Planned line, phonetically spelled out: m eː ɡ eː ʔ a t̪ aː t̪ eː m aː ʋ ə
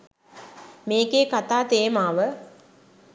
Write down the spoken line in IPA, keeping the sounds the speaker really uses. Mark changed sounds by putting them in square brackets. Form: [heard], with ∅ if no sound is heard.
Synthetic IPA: m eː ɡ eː [k] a t̪ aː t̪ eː m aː ʋ ə